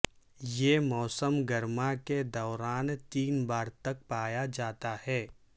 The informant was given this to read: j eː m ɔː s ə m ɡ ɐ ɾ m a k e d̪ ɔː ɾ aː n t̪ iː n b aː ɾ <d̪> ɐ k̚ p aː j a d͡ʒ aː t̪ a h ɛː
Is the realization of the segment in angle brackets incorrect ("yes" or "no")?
yes